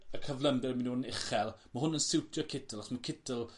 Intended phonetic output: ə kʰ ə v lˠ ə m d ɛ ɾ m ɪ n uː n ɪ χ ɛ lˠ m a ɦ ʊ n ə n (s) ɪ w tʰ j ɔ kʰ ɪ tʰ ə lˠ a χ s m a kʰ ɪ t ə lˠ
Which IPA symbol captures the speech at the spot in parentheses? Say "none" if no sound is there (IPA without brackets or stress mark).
s